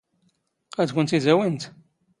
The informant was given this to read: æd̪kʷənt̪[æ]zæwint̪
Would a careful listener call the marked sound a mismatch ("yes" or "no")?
yes